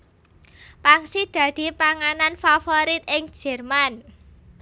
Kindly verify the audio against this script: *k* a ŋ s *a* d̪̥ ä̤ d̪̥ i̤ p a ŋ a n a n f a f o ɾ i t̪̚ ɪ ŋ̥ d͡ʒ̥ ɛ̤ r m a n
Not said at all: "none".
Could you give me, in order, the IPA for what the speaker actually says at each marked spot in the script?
p, i

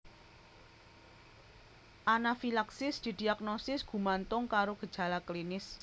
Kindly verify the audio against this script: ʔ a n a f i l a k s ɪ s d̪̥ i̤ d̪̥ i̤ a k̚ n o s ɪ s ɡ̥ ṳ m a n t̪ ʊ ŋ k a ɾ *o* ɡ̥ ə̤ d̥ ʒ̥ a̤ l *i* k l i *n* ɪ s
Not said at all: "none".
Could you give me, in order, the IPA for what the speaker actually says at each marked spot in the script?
o, a, n

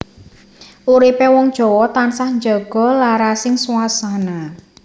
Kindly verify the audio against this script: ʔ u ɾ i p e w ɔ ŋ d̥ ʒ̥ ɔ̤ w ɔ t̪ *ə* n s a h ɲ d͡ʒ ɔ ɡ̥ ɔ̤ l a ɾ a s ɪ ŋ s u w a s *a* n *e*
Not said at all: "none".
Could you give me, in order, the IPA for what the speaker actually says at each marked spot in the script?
a, a, a

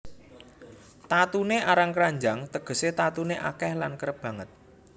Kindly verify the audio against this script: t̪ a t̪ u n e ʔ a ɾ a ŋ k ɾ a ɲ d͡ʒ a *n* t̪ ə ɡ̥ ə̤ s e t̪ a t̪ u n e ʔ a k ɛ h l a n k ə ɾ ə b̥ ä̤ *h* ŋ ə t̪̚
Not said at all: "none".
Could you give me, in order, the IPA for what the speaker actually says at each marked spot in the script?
ŋ, none

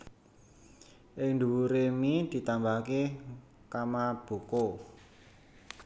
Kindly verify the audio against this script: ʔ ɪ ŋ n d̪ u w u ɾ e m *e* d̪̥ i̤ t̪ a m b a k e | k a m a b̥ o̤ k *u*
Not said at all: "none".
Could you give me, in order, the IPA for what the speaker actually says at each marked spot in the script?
i, o

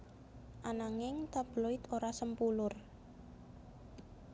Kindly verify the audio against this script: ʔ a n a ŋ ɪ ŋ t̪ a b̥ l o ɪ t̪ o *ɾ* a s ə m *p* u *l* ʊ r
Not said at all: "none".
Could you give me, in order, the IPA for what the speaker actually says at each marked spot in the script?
ɾ, p, l

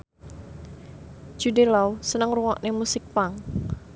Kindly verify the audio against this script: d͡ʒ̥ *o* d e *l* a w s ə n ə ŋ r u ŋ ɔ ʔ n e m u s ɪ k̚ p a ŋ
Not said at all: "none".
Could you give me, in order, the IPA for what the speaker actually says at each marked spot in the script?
u, l

